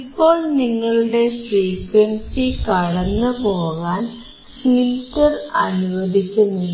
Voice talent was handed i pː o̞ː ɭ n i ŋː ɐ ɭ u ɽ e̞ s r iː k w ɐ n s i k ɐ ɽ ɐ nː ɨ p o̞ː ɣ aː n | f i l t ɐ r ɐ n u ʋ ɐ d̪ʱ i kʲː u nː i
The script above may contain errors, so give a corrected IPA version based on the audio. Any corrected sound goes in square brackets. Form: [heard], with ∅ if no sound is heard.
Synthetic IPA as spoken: i pː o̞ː ɭ n i ŋː ɐ ɭ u ɽ e̞ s r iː k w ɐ n s i k ɐ ɽ ɐ nː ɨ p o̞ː ɣ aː n | f i l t ɐ r ɐ n u ʋ ɐ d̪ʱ i kʲː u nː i